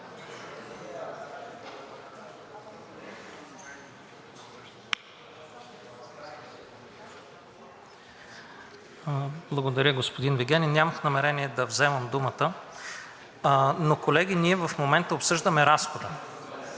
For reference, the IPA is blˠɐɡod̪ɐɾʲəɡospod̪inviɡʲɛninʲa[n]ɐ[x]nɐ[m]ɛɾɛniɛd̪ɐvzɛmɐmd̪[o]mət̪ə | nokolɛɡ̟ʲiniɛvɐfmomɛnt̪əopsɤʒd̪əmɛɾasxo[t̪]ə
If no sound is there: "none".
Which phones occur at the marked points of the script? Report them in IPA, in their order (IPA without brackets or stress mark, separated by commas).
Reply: m, x, m, u, d̪